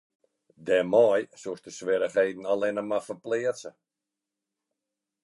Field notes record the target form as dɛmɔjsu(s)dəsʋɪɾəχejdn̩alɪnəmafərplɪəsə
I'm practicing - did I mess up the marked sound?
no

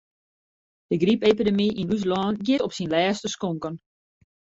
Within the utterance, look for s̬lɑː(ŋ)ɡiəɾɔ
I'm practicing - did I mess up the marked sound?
yes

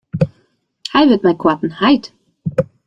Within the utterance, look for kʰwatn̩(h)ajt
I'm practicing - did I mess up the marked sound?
no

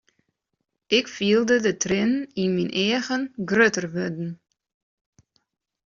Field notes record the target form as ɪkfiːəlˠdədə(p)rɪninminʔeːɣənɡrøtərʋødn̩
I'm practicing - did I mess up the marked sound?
yes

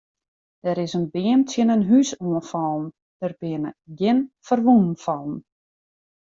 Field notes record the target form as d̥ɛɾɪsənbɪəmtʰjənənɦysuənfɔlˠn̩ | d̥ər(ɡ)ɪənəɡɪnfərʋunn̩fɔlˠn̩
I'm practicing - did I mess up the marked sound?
yes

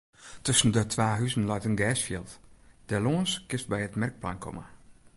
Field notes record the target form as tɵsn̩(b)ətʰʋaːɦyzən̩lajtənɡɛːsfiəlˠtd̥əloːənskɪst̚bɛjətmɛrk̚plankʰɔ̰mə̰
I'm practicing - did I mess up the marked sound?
yes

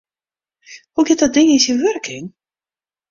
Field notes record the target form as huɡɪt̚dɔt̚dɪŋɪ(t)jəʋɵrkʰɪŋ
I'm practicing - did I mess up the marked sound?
yes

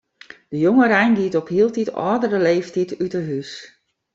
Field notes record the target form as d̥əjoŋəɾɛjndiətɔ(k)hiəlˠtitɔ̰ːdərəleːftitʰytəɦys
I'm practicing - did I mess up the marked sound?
yes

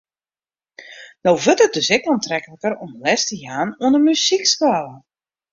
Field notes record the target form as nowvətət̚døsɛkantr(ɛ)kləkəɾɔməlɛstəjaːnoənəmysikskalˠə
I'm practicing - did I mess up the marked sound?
no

